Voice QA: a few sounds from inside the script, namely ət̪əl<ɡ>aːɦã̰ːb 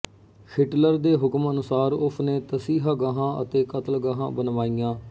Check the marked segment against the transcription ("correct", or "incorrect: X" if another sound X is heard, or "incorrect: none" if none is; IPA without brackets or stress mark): correct